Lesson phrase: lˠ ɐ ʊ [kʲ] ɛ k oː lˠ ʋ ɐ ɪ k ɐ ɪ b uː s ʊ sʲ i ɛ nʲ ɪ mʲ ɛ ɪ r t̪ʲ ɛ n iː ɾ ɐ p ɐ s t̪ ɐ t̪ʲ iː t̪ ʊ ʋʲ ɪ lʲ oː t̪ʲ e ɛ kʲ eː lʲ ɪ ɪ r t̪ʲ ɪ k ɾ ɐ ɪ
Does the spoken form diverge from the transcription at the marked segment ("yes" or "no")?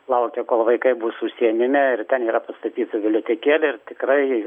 no